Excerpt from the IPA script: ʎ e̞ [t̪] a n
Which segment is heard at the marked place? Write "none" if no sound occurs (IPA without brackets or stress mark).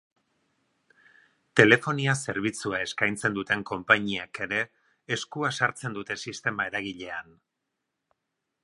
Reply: none